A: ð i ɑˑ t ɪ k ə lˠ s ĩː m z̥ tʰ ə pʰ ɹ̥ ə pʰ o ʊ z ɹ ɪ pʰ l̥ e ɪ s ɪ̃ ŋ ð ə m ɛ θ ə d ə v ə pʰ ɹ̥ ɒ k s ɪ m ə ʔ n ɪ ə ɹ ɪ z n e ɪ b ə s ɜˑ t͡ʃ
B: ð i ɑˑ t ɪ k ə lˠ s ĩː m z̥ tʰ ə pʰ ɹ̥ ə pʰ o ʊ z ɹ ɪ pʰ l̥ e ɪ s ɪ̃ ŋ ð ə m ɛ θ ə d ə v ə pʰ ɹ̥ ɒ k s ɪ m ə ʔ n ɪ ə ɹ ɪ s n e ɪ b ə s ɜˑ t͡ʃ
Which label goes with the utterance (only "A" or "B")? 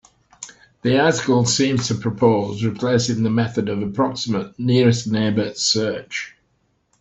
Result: B